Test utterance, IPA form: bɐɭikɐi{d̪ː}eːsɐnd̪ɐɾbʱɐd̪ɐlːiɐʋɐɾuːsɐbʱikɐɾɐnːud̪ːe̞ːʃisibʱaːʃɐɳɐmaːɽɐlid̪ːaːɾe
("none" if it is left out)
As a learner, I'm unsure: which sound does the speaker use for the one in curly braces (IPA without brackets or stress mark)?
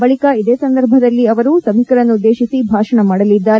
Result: d̪